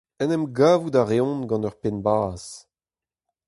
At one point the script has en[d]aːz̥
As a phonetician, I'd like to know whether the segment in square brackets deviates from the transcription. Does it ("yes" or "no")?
yes